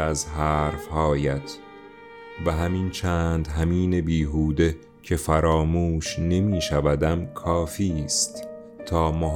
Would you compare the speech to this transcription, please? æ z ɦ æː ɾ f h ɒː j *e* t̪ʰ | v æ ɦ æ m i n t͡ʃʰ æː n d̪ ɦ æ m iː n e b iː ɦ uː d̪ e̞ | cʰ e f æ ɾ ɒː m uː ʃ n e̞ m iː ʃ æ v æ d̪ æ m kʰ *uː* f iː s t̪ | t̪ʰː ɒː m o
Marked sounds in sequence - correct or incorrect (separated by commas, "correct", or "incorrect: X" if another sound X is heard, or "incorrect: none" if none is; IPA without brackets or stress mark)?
incorrect: æ, incorrect: ɒː